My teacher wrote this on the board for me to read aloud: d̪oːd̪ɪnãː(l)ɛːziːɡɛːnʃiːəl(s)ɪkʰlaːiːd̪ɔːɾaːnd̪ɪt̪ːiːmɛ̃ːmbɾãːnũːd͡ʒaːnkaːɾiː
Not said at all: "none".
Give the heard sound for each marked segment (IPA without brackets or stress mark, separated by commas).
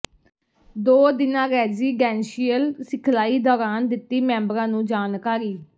ɾ, s